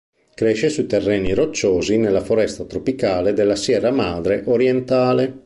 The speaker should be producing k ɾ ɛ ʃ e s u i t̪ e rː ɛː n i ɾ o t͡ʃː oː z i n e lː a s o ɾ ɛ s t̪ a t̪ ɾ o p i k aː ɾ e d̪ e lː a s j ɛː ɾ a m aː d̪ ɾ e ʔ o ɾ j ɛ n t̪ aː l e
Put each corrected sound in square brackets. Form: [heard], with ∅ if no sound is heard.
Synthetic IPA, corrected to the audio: k ɾ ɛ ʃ e s u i t̪ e rː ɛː n i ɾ o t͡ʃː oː z i n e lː a [f] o ɾ ɛ s t̪ a t̪ ɾ o p i k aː [l] e d̪ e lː a s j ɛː ɾ a m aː d̪ ɾ e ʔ o ɾ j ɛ n t̪ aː l e